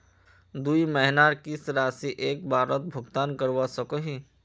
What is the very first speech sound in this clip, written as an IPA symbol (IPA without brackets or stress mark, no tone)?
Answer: d̪